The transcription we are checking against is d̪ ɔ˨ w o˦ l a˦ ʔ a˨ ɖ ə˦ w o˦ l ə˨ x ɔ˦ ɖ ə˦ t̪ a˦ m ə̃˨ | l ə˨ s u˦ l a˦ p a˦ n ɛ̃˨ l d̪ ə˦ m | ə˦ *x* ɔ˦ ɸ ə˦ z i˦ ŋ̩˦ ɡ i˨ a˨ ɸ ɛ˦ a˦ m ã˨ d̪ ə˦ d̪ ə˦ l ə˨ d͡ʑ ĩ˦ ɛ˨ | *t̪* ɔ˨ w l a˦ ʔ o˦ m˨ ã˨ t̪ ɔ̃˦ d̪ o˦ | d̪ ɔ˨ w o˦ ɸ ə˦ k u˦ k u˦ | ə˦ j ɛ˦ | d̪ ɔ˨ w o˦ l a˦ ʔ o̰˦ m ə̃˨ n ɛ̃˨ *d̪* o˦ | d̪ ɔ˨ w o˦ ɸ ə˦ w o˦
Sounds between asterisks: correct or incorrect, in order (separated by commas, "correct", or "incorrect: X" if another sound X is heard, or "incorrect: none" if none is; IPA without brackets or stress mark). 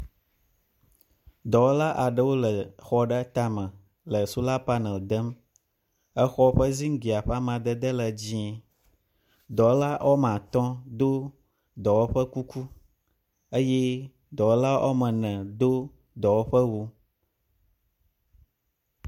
correct, incorrect: d̪, correct